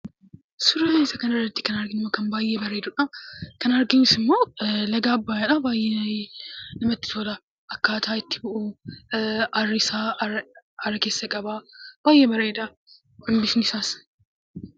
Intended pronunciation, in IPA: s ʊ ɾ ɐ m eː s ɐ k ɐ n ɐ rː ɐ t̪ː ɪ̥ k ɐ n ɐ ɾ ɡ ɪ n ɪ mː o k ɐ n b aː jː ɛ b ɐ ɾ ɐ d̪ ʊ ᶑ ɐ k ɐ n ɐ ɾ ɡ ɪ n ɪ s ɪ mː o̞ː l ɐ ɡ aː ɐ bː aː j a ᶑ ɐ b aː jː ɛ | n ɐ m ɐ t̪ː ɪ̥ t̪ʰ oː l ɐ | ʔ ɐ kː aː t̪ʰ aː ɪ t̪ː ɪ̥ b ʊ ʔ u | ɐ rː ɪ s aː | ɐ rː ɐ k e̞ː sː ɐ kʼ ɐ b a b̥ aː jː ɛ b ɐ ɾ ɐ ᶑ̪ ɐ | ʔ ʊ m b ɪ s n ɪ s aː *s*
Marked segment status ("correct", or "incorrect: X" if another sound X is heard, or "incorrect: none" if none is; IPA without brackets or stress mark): correct